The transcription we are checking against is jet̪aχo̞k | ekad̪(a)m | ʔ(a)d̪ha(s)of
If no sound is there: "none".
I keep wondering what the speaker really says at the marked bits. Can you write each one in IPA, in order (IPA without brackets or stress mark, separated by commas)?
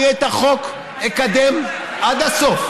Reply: e, a, s